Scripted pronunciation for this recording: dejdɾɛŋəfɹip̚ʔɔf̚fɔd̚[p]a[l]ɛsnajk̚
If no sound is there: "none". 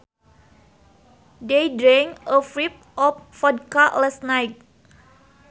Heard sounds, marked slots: k, l

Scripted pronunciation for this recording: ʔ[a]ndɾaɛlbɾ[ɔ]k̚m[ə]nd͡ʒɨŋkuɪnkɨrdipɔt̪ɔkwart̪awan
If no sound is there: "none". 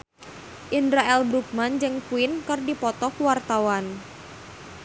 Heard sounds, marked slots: i, u, a

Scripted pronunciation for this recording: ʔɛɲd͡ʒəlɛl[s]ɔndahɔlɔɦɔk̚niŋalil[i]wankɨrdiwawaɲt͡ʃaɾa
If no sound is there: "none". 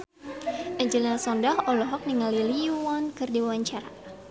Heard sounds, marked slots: s, i

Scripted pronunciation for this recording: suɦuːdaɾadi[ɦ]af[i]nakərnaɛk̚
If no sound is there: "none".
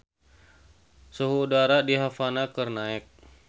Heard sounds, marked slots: ɦ, a

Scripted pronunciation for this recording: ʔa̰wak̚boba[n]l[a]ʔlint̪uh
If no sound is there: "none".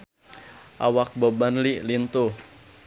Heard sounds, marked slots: n, i

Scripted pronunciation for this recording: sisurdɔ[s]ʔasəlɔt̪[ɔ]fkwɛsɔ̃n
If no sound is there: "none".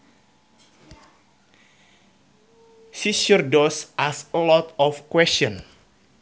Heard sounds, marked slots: s, ɔ

